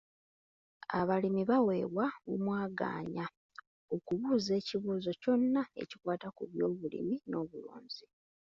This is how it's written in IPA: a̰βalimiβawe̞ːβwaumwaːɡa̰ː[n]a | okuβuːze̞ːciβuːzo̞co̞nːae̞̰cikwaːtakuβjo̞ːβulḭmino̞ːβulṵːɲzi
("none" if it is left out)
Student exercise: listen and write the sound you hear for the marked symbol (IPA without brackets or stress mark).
ɲ